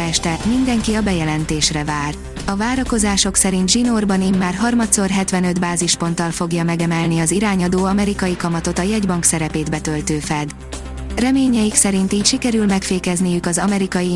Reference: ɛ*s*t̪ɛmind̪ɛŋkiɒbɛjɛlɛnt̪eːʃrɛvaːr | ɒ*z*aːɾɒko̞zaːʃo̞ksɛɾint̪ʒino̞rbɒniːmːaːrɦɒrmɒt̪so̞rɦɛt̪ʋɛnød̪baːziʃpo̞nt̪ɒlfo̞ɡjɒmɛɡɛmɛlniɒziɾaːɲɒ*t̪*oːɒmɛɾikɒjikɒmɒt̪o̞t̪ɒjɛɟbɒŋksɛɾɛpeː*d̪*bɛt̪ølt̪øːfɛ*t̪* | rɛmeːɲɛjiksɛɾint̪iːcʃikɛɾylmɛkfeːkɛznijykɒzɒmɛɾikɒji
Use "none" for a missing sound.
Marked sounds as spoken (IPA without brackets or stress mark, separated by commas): ʃ, v, d̪, d̪, d̪